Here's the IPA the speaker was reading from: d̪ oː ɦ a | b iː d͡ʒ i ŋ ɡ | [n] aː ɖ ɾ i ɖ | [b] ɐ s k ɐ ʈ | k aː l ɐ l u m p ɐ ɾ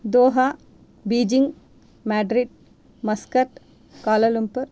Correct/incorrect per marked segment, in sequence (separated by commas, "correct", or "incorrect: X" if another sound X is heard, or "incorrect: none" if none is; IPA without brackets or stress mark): incorrect: m, incorrect: m